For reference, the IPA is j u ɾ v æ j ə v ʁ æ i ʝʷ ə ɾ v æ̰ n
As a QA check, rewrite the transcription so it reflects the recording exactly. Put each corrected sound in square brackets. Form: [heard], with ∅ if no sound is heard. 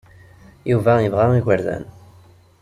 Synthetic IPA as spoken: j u [∅] v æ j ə v ʁ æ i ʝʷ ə ɾ [ð] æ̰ n